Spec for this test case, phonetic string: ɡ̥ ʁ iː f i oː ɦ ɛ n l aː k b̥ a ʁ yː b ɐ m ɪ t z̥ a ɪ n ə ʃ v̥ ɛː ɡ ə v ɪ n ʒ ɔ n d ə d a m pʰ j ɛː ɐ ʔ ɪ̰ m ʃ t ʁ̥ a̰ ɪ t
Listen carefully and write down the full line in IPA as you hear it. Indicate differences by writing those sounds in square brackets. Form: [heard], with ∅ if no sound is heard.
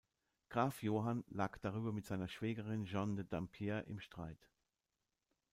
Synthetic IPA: ɡ̥ ʁ [aː] f [j] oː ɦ [a] n l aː k [d̥] a ʁ yː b ɐ m ɪ t z̥ a ɪ n [ɐ] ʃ v̥ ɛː ɡ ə [ʁ] ɪ n ʒ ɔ n d ə d a m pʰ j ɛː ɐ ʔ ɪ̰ m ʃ t ʁ̥ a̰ ɪ t